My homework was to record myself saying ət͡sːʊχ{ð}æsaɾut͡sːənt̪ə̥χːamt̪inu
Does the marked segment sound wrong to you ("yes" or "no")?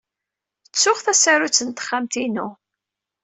yes